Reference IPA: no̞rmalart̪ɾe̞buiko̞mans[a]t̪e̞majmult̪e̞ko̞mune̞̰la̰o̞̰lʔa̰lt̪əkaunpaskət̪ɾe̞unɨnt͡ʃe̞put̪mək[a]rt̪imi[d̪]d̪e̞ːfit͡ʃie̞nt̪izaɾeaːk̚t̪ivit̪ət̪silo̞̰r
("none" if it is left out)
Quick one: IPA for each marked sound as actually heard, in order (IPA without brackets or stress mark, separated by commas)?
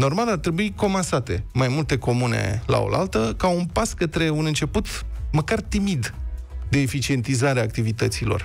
a, a, d̪